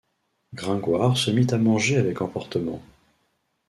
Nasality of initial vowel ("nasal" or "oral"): nasal